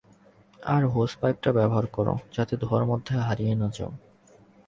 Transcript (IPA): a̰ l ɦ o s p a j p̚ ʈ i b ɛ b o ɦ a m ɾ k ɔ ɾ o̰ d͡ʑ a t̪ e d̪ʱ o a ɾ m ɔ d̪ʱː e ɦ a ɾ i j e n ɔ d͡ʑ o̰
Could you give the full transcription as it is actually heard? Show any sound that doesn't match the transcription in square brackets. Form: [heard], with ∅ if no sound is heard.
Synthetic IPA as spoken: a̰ [ɾ] ɦ o s p a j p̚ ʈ [a] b ɛ b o ɦ a [∅] ɾ k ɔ ɾ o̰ d͡ʑ a t̪ e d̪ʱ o a ɾ m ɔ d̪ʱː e ɦ a ɾ i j e n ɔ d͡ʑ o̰